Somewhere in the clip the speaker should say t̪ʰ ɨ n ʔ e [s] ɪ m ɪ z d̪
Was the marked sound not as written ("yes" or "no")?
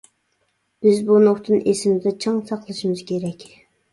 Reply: no